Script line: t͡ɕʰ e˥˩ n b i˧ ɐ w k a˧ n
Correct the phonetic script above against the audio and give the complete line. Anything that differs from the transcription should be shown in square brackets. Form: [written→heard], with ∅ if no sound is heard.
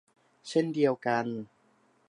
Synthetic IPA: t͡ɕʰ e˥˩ n [b→d] i˧ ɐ w k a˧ n